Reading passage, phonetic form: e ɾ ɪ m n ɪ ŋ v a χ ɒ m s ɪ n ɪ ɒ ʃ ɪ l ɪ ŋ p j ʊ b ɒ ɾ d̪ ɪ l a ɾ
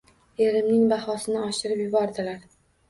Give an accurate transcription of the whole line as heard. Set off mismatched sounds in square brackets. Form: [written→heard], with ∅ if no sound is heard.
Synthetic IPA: e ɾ ɪ m n ɪ ŋ [v→b] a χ ɒ [m→∅] s ɪ n ɪ ɒ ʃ ɪ [l→ɾ] ɪ [ŋ→∅] p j ʊ b ɒ ɾ d̪ ɪ l a ɾ